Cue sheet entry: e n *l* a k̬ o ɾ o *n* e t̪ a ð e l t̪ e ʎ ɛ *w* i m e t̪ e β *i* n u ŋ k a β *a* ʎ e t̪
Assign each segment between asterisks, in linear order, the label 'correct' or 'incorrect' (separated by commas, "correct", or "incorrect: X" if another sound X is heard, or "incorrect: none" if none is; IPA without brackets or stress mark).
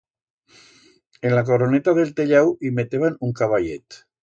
correct, correct, correct, incorrect: a, correct